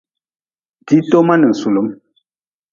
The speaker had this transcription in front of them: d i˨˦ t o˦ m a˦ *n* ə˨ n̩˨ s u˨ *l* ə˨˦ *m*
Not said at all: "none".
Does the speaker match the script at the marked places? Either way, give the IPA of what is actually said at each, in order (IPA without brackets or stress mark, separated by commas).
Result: n, l, m